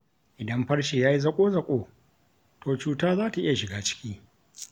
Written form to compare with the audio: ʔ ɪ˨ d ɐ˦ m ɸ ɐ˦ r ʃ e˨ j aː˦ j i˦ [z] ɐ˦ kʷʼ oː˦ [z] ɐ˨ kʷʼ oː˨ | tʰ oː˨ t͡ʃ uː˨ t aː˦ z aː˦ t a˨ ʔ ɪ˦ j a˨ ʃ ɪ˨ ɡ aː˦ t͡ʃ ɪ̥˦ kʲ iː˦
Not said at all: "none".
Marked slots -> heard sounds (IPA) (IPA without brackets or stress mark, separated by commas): z, z